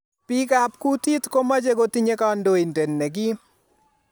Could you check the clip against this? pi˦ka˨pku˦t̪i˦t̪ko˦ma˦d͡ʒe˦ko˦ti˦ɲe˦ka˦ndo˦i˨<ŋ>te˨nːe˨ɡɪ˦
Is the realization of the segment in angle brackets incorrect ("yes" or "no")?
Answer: yes